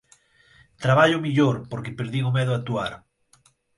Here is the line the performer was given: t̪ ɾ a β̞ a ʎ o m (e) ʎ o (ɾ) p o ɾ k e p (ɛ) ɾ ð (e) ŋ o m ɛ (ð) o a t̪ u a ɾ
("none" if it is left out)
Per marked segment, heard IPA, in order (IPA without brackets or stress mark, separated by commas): i, ɾ, e, i, ð